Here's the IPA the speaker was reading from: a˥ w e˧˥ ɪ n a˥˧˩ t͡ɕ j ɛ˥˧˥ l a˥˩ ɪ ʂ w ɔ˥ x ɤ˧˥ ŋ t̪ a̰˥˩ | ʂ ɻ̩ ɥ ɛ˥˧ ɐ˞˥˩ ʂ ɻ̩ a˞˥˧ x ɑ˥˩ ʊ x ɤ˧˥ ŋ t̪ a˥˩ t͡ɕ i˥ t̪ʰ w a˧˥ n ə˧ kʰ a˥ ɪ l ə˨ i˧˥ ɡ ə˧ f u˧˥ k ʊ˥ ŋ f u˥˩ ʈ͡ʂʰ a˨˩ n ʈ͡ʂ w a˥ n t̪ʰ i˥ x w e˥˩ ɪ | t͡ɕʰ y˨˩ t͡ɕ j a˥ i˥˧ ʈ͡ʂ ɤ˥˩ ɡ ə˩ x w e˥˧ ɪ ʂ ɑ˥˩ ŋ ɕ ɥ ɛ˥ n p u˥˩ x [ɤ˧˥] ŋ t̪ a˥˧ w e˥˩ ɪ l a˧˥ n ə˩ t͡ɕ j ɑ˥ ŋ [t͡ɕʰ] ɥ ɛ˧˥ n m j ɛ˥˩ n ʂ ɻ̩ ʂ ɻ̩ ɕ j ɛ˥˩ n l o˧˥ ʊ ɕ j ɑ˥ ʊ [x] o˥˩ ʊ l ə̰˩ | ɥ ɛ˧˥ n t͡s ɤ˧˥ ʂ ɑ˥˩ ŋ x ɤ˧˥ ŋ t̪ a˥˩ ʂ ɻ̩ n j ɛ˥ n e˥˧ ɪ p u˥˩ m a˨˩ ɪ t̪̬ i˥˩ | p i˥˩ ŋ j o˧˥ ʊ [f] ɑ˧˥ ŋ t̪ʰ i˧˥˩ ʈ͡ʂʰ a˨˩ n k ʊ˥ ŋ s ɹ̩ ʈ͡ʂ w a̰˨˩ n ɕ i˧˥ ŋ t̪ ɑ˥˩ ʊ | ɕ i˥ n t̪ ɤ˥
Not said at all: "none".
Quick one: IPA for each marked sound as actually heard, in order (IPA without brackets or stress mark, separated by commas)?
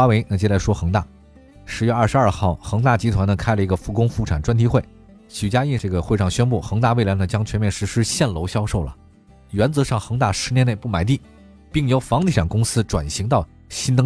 ɤ˧˥, t͡ɕʰ, ʂ, f